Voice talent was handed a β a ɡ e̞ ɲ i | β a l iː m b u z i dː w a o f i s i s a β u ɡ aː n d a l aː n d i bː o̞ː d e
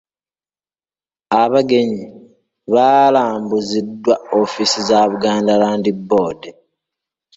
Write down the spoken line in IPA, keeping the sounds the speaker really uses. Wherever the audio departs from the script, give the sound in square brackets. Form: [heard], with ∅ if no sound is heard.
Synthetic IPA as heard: a β a ɡ e̞ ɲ i | β a l [aː] m b u z i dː w a o f i s i [z] a β u ɡ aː n d a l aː n d i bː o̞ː d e